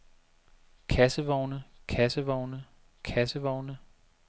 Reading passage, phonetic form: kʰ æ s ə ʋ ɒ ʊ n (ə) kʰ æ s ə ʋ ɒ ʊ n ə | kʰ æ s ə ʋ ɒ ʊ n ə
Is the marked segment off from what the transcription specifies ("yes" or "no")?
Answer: no